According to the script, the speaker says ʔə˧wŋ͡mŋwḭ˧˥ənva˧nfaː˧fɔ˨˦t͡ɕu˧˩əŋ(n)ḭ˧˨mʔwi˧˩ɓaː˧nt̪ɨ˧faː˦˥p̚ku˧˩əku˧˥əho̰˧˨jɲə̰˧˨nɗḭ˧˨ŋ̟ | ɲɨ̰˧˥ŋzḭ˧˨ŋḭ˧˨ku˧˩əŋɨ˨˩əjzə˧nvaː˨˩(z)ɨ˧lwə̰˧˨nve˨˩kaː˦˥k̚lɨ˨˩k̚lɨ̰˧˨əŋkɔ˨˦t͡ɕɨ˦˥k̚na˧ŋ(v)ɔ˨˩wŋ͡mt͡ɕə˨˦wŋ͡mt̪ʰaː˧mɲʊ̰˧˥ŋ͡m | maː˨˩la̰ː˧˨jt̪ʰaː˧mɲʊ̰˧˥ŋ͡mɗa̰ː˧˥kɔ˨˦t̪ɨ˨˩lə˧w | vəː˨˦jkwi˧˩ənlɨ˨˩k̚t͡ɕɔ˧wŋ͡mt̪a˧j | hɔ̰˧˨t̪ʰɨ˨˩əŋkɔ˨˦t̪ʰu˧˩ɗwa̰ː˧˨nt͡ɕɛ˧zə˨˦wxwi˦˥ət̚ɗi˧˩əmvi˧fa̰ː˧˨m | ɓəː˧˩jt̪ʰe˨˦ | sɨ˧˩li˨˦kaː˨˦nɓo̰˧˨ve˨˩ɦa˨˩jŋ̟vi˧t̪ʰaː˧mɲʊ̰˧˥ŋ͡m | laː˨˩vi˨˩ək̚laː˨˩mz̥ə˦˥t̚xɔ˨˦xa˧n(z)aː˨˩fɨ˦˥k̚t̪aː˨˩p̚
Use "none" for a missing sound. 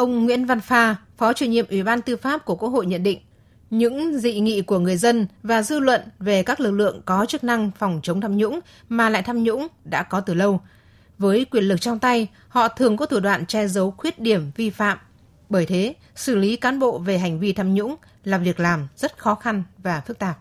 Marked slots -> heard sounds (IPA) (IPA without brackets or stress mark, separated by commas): ɲ, z, f, v